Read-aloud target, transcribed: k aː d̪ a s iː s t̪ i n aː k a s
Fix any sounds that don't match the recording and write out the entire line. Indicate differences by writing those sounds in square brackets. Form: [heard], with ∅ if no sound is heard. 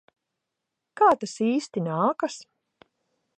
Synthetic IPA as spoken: k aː [t̪] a s iː s t̪ i n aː k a s